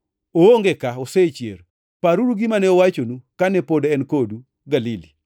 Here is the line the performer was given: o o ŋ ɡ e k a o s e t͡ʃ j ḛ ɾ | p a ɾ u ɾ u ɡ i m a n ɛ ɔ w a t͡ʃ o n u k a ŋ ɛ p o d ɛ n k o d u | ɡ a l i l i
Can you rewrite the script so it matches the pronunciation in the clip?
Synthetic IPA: o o ŋ ɡ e k a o s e t͡ʃ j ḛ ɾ | p a ɾ u ɾ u ɡ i m a n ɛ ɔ w a t͡ʃ o n u k a n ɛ p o d ɛ n k o d u | ɡ a l i l i